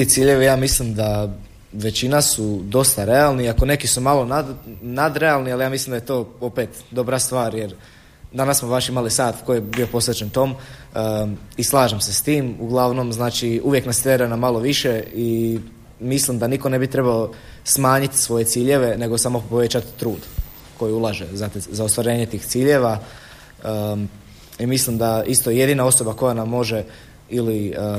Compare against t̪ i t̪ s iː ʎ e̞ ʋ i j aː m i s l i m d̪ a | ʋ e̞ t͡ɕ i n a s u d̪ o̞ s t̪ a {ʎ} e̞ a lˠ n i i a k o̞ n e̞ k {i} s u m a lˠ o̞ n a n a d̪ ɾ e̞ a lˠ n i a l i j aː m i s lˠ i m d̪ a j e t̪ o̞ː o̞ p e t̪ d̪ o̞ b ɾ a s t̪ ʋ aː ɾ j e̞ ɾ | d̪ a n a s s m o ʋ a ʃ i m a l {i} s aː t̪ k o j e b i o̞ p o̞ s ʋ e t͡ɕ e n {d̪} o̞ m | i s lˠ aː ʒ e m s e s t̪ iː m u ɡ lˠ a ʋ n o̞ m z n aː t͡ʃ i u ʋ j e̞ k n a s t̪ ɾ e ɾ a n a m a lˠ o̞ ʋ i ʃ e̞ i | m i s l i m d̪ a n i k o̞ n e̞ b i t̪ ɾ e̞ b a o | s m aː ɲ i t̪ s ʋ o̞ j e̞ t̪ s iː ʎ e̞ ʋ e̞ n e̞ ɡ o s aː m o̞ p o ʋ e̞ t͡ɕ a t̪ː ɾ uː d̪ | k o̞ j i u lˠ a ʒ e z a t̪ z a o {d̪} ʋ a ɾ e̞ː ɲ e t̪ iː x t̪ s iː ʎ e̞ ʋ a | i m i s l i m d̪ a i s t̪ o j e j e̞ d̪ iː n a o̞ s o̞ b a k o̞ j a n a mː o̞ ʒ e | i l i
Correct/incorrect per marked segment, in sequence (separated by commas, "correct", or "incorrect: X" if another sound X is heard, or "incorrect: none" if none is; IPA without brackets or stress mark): incorrect: ɾ, correct, correct, incorrect: t̪, incorrect: t̪